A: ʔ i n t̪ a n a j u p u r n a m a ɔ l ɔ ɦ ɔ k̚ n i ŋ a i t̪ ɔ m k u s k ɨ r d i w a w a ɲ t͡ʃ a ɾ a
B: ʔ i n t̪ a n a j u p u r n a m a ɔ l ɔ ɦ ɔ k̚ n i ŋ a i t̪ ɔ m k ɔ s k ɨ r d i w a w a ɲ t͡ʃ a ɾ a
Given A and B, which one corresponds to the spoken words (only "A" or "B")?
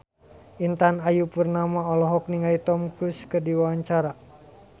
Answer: A